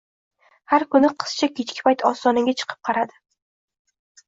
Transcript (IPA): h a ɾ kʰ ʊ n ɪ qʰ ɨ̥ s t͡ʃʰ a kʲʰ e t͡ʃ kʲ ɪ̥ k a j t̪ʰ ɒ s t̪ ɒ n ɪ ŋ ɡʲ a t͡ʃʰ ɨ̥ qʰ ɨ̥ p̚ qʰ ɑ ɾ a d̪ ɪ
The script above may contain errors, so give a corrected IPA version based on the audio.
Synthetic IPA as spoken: h a ɾ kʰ ʊ n ɪ qʰ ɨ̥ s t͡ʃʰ a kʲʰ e t͡ʃ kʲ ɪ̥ p a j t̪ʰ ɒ s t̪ ɒ n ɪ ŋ ɡʲ a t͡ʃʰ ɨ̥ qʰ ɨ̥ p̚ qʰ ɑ ɾ a d̪ ɪ